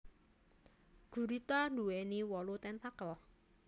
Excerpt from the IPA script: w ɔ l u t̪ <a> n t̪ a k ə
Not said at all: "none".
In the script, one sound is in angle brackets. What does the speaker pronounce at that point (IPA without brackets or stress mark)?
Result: ɛ